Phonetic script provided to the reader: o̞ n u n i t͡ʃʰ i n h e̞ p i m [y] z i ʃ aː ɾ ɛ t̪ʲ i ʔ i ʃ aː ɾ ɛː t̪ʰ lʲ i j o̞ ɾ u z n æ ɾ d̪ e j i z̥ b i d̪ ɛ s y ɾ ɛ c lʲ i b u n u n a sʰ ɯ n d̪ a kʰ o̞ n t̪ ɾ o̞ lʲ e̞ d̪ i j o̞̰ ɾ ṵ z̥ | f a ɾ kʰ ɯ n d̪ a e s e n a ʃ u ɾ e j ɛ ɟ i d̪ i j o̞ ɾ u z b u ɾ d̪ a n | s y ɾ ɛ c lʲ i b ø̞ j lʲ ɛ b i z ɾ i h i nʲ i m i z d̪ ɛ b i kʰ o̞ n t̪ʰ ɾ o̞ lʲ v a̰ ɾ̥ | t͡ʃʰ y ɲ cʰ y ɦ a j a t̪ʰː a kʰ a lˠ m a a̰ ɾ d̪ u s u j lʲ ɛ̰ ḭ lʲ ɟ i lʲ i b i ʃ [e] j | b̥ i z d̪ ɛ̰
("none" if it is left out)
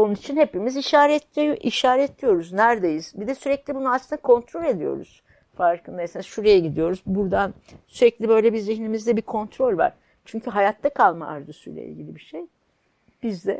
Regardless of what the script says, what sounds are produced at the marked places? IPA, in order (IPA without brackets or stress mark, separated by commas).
i, e